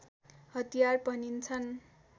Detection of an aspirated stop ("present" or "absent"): present